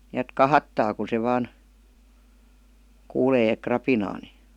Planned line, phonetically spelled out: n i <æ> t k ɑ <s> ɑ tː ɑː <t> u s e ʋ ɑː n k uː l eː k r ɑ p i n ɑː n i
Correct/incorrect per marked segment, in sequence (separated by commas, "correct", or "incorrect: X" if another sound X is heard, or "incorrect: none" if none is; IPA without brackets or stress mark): correct, incorrect: h, incorrect: k